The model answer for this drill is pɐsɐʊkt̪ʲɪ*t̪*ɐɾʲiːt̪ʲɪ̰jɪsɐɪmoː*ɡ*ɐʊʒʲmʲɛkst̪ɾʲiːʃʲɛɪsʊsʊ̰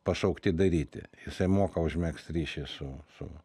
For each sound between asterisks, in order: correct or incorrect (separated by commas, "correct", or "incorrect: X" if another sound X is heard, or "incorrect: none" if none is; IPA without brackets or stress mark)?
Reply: incorrect: d̪, incorrect: k